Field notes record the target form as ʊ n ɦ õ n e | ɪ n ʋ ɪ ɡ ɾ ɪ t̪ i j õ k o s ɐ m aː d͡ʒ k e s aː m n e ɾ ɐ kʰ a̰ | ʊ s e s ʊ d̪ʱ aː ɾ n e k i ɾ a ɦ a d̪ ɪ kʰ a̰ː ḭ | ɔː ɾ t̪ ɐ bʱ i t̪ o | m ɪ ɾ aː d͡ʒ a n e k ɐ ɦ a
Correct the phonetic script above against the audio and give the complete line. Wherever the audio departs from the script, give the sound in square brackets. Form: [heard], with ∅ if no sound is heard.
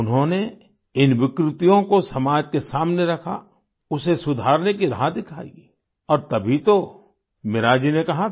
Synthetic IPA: ʊ n ɦ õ n e | ɪ n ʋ ɪ [k] ɾ ɪ t̪ i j õ k o s ɐ m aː d͡ʒ k e s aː m n e ɾ ɐ kʰ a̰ | ʊ s e s ʊ d̪ʱ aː ɾ n e k i ɾ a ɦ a d̪ ɪ kʰ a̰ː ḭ | ɔː ɾ t̪ ɐ bʱ i t̪ o | m ɪ ɾ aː d͡ʒ [i] n e k ɐ ɦ a

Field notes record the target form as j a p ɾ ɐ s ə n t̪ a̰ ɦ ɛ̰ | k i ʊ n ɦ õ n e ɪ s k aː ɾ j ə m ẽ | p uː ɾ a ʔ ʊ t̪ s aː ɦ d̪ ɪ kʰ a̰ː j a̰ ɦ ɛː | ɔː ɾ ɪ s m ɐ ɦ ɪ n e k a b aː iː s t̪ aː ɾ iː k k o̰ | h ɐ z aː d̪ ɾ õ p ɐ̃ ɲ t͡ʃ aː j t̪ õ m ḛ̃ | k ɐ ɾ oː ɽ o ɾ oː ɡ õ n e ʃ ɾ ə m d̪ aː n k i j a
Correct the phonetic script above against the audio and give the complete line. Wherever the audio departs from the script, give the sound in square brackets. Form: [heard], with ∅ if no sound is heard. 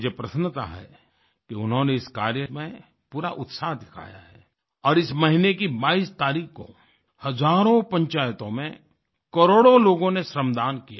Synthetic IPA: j [e] p ɾ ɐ s ə n t̪ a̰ ɦ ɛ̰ | k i ʊ n ɦ õ n e ɪ s k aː ɾ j ə m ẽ | p uː ɾ a ʔ ʊ t̪ s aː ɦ d̪ ɪ kʰ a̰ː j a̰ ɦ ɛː | ɔː ɾ ɪ s m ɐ ɦ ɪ n e k [i] b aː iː s t̪ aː ɾ iː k k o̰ | h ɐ z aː [∅] ɾ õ p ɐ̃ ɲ t͡ʃ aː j t̪ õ m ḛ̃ | k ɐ ɾ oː ɽ o [l] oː ɡ õ n e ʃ ɾ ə m d̪ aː n k i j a

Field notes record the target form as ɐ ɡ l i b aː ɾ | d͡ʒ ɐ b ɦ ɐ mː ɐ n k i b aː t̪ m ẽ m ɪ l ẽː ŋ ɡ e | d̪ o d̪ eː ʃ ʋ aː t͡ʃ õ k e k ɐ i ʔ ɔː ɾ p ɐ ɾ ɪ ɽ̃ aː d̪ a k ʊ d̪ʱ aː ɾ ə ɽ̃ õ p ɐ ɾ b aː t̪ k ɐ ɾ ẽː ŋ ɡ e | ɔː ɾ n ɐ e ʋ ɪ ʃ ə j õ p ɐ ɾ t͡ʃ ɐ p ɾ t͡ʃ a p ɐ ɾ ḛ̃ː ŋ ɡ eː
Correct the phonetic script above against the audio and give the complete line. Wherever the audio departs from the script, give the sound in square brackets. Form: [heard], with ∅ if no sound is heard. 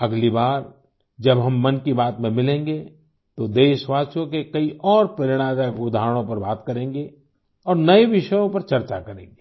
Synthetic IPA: ɐ ɡ l i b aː ɾ | d͡ʒ ɐ b ɦ ɐ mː ɐ n k i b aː t̪ m ẽ m ɪ l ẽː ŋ ɡ e | [t̪] o d̪ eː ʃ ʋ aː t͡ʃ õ k e k ɐ i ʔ ɔː ɾ p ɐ ɾ ɪ ɽ̃ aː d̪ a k ʊ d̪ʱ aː ɾ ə ɽ̃ õ p ɐ ɾ b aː t̪ k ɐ ɾ ẽː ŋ ɡ e | ɔː ɾ n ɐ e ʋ ɪ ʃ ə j õ p ɐ ɾ t͡ʃ ɐ [∅] ɾ t͡ʃ a [k] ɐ ɾ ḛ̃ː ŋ ɡ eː

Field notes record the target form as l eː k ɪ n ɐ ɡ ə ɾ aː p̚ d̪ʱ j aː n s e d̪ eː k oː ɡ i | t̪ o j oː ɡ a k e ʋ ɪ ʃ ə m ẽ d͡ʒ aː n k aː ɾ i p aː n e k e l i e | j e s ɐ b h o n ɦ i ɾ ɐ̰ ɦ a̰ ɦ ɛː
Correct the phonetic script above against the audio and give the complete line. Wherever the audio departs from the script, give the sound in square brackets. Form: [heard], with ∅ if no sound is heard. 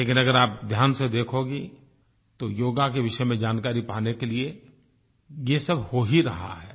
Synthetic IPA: l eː k ɪ n ɐ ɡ ə ɾ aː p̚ d̪ʱ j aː n s e d̪ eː [kʰ] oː ɡ i | t̪ o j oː ɡ a k e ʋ ɪ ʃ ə m ẽ d͡ʒ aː n k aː ɾ i p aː n e k e l i e | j e s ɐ b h o [∅] ɦ i ɾ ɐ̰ ɦ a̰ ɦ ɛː

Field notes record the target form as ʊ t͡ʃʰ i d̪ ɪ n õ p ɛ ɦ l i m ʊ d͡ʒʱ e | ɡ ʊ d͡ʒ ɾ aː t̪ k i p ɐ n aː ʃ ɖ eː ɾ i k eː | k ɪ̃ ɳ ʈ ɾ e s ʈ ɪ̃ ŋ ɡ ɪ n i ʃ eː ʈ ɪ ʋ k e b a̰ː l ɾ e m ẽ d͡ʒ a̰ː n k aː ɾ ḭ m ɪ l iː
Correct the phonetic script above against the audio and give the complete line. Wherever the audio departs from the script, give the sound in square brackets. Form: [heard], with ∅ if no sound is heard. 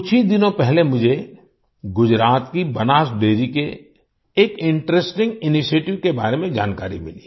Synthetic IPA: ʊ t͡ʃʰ i d̪ ɪ n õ p ɛ ɦ l [e] m ʊ d͡ʒʱ e | ɡ ʊ d͡ʒ ɾ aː t̪ k i [b] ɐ n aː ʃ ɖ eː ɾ i k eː | k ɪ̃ ɳ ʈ ɾ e s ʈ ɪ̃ ŋ ɡ ɪ n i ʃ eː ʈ ɪ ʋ k e b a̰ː [∅] ɾ e m ẽ d͡ʒ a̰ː n k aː ɾ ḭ m ɪ l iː

